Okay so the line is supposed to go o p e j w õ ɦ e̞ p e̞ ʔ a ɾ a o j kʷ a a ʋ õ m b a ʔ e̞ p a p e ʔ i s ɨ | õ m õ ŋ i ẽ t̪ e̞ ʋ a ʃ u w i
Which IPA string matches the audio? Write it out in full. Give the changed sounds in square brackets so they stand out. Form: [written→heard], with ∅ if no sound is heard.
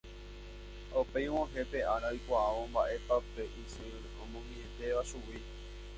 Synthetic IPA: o p e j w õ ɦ e̞ p e̞ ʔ a ɾ a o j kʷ a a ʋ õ m b a ʔ e̞ p a p e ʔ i s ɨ | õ m õ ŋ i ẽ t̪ e̞ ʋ a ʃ u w i